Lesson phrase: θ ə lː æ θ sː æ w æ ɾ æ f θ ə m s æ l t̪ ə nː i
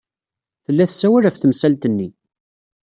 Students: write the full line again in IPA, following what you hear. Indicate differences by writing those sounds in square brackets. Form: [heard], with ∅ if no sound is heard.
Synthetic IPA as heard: θ ə lː æ θ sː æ w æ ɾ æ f θ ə m s æ l t̪ ə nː i